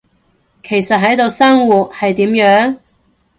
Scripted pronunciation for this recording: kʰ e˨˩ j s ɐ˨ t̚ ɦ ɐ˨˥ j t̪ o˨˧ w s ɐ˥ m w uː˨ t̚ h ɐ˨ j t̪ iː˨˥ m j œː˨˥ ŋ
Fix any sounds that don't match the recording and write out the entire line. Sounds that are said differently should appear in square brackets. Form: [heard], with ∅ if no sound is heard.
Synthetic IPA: kʰ e˨˩ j s ɐ˨ t̚ ɦ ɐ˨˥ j t̪ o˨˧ w s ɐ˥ [ŋ] w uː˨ t̚ h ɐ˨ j t̪ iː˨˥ m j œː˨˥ ŋ